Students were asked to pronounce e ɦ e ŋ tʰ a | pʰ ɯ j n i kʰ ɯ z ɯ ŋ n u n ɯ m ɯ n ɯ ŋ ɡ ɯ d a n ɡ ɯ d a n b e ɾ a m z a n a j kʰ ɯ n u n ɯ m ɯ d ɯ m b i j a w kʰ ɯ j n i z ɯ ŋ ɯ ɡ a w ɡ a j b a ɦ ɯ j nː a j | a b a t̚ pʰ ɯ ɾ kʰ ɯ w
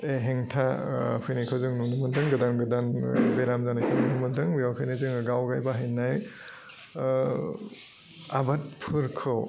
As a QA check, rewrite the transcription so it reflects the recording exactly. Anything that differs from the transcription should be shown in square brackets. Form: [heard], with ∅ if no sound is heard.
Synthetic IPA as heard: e ɦ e ŋ tʰ a | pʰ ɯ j n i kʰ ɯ z ɯ ŋ n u n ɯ m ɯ [d] ɯ ŋ ɡ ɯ d a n ɡ ɯ d a n b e ɾ a m z a n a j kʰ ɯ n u n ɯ m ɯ d ɯ [ŋ] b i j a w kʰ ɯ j n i z ɯ ŋ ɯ ɡ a w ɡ a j b a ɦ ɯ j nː a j | a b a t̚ pʰ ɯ ɾ kʰ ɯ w